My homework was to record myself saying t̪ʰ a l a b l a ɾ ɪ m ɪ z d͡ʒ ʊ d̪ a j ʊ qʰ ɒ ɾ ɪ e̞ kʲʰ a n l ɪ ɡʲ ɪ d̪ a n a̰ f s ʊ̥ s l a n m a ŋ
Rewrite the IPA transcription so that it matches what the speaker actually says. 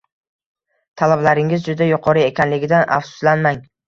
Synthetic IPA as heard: t̪ʰ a l a b l a ɾ ɪ ŋ ɪ z d͡ʒ ʊ d̪ a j ʊ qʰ ɒ ɾ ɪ e̞ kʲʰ a n l ɪ ɡʲ ɪ d̪ a n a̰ f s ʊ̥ s l a n m a ŋ